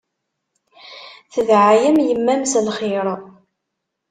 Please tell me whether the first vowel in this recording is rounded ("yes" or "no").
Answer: no